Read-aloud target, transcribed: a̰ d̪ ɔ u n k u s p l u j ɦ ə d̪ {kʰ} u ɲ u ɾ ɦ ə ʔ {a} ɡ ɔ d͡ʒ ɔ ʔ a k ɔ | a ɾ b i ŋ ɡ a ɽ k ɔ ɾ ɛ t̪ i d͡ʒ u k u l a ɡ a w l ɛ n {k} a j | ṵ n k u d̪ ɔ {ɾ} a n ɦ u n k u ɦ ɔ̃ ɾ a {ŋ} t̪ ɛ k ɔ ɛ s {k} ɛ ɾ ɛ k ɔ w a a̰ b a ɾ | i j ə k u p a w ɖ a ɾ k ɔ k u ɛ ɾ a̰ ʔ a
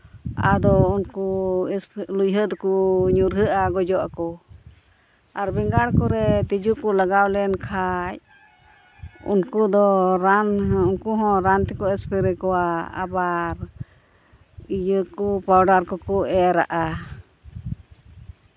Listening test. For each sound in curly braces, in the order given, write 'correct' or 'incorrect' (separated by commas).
incorrect, correct, incorrect, correct, incorrect, incorrect